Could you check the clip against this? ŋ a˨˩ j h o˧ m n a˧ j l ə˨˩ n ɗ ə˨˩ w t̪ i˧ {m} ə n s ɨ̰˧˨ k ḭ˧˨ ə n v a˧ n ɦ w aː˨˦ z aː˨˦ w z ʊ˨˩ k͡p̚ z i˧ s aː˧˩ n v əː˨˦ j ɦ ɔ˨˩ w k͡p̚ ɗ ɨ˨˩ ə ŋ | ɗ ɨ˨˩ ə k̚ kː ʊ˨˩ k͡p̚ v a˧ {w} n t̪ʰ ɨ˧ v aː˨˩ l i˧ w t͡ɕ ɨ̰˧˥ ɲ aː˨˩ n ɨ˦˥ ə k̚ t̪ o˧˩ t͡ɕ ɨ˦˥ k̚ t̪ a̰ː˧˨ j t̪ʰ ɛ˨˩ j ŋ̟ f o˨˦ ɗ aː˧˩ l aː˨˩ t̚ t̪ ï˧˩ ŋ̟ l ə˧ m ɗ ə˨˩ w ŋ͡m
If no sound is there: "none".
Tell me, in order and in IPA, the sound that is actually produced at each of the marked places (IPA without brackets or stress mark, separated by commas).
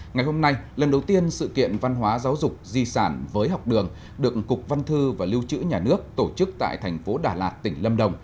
none, none